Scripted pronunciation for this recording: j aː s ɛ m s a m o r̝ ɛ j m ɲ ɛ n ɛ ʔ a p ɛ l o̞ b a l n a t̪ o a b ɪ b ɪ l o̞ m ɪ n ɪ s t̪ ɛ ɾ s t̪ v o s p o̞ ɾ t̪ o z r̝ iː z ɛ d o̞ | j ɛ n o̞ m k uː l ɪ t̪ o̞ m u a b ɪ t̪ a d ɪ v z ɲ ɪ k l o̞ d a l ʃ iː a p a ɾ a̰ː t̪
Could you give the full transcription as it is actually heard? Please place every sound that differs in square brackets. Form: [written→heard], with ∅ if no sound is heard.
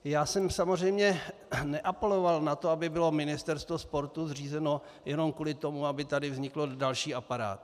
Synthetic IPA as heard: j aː s ɛ m s a m o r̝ ɛ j m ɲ ɛ n ɛ ʔ a p ɛ l o̞ [b→v] a l n a t̪ o a b ɪ b ɪ l o̞ m ɪ n ɪ s t̪ ɛ ɾ s t̪ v o s p o̞ ɾ t̪ [o→u] z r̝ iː z ɛ [d→n] o̞ | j ɛ n o̞ m k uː l ɪ t̪ o̞ m u a b ɪ t̪ a d ɪ v z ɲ ɪ k l o̞ d a l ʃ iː a p a ɾ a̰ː t̪